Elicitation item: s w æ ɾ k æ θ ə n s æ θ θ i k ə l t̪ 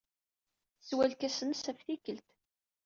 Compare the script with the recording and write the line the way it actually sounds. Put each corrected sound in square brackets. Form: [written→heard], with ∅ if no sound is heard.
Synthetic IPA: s w æ [ɾ→l] k æ [θ→s] ə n s æ [θ→f] θ i k ə l t̪